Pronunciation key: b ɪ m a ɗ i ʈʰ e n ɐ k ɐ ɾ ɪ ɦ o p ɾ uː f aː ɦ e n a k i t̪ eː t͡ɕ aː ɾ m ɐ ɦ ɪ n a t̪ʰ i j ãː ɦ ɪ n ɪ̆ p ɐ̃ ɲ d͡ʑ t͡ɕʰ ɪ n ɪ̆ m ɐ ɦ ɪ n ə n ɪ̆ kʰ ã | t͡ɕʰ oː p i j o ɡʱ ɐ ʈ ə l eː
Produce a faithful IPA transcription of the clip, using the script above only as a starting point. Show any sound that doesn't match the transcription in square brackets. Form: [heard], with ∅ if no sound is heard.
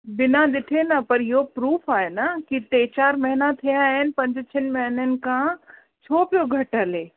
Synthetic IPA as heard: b ɪ [n] a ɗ [ɪ] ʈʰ e n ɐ [p] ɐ ɾ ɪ ɦ o p ɾ uː f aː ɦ e n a k i t̪ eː t͡ɕ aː ɾ m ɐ ɦ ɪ n a t̪ʰ i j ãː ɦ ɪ n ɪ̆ p ɐ̃ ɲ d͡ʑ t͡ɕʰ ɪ n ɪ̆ m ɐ ɦ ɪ n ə n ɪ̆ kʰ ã | t͡ɕʰ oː p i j o ɡʱ ɐ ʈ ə l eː